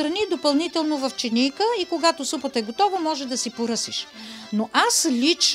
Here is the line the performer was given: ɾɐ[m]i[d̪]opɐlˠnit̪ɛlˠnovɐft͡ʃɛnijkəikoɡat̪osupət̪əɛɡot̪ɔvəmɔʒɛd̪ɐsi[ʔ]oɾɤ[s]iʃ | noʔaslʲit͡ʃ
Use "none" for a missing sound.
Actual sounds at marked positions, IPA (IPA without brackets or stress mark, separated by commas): n, d̪, p, s